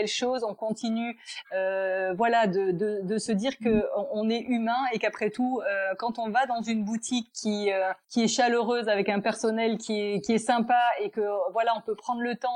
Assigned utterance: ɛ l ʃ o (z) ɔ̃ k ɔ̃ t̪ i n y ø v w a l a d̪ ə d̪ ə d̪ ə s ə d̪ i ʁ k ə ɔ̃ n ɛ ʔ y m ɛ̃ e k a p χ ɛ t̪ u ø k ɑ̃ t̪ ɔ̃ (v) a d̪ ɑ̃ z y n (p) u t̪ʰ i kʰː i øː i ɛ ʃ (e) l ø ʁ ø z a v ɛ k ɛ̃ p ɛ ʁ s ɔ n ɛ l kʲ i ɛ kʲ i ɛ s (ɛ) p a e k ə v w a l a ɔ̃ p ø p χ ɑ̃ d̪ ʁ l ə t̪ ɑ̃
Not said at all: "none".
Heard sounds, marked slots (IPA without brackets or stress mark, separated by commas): z, v, b, a, ɛ̃